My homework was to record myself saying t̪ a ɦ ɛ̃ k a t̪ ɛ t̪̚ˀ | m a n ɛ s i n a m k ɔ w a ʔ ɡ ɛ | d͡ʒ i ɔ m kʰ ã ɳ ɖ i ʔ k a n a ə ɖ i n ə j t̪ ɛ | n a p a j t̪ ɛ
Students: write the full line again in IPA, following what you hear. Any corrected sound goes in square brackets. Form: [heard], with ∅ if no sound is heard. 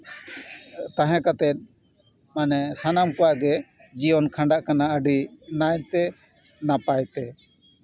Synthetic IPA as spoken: t̪ a ɦ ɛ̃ k a t̪ ɛ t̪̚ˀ | m a n ɛ s [a] n a m k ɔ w a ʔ ɡ ɛ | d͡ʒ i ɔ [n] kʰ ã ɳ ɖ [a] ʔ k a n a ə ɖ i n [a] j t̪ ɛ | n a p a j t̪ ɛ